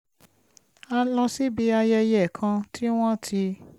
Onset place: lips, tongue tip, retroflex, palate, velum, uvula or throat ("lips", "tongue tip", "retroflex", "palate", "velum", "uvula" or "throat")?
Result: tongue tip